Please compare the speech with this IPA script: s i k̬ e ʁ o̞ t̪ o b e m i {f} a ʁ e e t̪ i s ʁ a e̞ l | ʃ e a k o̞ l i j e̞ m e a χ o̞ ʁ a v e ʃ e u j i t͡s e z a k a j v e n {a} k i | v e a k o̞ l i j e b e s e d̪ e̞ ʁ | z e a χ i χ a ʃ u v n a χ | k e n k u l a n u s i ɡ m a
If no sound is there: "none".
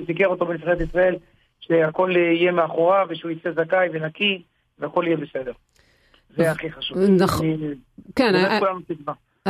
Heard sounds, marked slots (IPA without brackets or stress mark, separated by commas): f, a